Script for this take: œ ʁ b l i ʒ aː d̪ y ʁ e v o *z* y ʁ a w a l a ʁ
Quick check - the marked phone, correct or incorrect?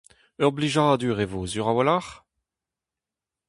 correct